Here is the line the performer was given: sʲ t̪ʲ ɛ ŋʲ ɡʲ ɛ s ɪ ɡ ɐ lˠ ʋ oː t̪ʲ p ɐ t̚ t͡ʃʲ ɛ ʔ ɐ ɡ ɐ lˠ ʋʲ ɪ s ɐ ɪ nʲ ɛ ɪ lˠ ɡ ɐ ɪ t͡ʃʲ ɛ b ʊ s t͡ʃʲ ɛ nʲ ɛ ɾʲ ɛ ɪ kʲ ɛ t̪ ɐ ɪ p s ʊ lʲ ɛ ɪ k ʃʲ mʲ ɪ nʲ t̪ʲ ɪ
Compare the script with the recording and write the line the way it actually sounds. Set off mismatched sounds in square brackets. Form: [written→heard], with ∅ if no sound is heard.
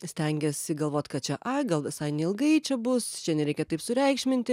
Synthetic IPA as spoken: sʲ t̪ʲ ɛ ŋʲ ɡʲ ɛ s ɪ ɡ ɐ lˠ ʋ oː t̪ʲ [p→k] ɐ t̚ t͡ʃʲ ɛ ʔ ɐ ɡ ɐ lˠ ʋʲ ɪ s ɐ ɪ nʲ ɛ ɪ lˠ ɡ ɐ ɪ t͡ʃʲ ɛ b ʊ s t͡ʃʲ ɛ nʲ ɛ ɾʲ ɛ ɪ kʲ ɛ t̪ ɐ ɪ p s ʊ [lʲ→ɾʲ] ɛ ɪ k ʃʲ mʲ ɪ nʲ t̪ʲ ɪ

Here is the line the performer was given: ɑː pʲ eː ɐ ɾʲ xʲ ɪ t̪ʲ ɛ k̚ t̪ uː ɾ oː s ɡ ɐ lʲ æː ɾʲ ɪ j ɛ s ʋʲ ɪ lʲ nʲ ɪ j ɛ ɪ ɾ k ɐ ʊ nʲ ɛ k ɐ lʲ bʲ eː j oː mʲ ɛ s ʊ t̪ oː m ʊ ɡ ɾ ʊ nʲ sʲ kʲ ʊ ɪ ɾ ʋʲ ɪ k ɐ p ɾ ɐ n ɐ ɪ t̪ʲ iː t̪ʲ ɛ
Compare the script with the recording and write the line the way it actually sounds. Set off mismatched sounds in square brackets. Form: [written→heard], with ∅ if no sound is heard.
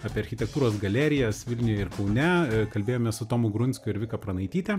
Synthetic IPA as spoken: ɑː pʲ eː ɐ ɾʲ xʲ ɪ t̪ʲ ɛ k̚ t̪ uː ɾ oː s ɡ ɐ lʲ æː ɾʲ ɪ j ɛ s ʋʲ ɪ lʲ nʲ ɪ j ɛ ɪ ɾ k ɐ ʊ nʲ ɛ k ɐ lʲ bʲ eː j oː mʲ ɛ s ʊ t̪ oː m ʊ ɡ ɾ ʊ nʲ sʲ kʲ ʊ ɪ ɾ ʋʲ ɪ k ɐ p ɾ ɐ n ɐ ɪ t̪ʲ iː t̪ʲ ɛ

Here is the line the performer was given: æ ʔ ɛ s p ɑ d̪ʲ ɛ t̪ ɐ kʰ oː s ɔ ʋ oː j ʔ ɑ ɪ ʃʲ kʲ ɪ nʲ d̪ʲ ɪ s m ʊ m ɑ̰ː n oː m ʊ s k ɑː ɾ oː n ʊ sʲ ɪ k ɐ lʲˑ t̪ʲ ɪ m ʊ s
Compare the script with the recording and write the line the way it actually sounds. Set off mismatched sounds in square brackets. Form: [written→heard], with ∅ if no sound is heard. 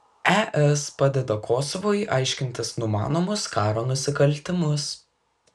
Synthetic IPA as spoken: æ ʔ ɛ s p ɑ d̪ʲ ɛ [t̪→d̪] ɐ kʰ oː s ɔ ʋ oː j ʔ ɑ ɪ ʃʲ kʲ ɪ nʲ [d̪ʲ→t̪ʲ] ɪ s [m→n] ʊ m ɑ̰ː n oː m ʊ s k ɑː ɾ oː n ʊ sʲ ɪ k ɐ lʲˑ t̪ʲ ɪ m ʊ s

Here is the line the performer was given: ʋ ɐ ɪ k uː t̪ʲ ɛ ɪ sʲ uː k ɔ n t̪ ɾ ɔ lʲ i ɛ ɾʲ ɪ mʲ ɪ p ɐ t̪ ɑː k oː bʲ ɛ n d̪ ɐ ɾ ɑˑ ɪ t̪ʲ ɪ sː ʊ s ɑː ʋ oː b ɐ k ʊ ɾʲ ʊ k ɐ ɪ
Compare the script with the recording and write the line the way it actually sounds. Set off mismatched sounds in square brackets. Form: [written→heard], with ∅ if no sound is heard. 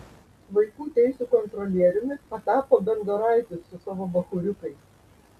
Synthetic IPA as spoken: ʋ ɐ ɪ k uː t̪ʲ ɛ ɪ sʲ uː k ɔ n t̪ ɾ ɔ lʲ i ɛ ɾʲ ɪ mʲ ɪ p ɐ t̪ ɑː [k→p] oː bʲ ɛ n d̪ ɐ ɾ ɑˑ ɪ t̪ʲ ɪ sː ʊ s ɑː ʋ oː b ɐ [k→x] ʊ ɾʲ ʊ k ɐ ɪ

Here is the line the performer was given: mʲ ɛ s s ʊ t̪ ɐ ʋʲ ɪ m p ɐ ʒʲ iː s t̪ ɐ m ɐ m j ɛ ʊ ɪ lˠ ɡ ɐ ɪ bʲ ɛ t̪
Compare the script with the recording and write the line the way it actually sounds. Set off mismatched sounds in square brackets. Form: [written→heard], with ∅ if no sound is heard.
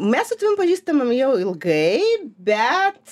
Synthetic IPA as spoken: mʲ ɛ s s ʊ t̪ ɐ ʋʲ ɪ m p ɐ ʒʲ iː s t̪ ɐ m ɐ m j ɛ ʊ ɪ lˠ ɡ ɐ ɪ bʲ ɛ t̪

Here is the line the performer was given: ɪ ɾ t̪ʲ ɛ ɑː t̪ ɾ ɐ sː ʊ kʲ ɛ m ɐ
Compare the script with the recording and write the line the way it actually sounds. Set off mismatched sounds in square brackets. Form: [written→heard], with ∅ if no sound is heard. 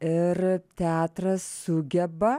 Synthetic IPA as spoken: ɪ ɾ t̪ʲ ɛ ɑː t̪ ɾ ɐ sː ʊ [kʲ→ɡʲ] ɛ [m→b] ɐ

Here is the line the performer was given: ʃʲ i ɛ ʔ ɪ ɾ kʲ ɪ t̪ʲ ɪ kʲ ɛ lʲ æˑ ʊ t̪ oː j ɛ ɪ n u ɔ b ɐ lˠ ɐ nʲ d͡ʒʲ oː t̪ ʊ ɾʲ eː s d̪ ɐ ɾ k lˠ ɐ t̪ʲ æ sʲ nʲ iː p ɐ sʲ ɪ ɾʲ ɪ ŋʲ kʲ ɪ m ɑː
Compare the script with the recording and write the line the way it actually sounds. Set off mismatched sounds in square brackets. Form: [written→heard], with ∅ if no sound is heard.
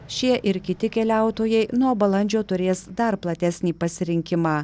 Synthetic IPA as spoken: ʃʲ i ɛ ʔ ɪ ɾ kʲ ɪ t̪ʲ ɪ kʲ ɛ lʲ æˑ ʊ t̪ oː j ɛ ɪ n u ɔ b ɐ lˠ ɐ nʲ d͡ʒʲ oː t̪ ʊ ɾʲ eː s d̪ ɐ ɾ [k→p] lˠ ɐ t̪ʲ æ sʲ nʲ iː p ɐ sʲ ɪ ɾʲ ɪ ŋʲ kʲ ɪ m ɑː

